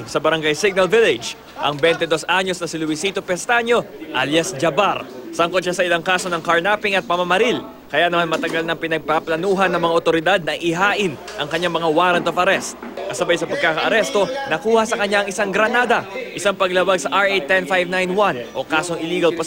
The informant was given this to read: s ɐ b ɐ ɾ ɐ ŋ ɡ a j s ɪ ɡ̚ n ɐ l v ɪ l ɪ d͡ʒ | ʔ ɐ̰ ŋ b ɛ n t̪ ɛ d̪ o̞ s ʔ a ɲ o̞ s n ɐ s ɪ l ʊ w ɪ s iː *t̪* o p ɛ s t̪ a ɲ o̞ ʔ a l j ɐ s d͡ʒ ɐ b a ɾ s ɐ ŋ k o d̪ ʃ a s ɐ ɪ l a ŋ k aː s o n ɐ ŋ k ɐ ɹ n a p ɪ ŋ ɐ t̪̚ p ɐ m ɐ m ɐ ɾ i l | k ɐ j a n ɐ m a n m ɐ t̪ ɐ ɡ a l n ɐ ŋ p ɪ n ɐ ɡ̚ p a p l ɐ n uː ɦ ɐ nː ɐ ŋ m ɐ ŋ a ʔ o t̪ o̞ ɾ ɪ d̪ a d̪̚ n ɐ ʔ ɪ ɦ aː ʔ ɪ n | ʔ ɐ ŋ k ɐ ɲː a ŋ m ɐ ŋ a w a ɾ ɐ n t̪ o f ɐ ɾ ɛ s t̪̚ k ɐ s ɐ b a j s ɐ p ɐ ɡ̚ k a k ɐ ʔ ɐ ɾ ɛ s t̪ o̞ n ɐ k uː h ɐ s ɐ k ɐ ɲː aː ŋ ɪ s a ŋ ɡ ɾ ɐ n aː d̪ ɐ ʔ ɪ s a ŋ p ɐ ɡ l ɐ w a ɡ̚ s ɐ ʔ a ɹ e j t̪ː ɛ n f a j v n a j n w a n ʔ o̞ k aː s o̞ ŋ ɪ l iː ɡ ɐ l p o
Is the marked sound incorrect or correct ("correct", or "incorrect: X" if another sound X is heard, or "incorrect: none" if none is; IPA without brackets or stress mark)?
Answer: correct